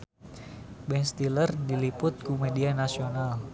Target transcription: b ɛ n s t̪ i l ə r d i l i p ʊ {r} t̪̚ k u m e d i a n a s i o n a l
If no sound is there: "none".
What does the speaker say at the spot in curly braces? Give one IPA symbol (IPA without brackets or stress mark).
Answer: none